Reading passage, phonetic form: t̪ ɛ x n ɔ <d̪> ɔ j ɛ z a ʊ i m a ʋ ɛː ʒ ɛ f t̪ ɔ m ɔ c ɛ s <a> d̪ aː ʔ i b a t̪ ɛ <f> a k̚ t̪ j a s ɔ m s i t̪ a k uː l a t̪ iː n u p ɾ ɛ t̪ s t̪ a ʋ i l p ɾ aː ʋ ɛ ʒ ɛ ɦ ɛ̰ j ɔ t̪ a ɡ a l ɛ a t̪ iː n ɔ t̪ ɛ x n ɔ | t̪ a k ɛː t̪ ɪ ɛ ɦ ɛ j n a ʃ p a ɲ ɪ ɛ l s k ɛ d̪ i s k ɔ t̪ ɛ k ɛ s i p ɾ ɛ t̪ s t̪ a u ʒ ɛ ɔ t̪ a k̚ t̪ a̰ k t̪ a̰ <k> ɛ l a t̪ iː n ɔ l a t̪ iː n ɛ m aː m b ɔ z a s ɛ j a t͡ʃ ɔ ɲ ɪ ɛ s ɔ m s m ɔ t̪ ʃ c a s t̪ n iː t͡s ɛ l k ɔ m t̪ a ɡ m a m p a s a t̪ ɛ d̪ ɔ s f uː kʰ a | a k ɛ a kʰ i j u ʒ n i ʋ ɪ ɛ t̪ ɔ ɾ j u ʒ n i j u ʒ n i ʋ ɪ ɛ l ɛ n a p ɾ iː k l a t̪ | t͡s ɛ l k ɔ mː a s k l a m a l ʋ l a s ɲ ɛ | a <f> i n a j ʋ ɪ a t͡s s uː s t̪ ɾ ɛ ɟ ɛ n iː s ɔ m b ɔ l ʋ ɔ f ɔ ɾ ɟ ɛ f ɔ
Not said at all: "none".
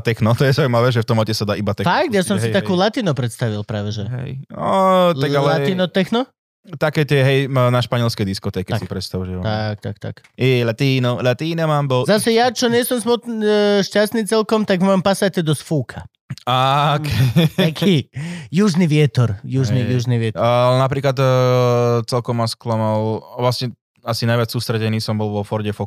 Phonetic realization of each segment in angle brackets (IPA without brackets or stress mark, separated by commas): t̪, a, f, k, s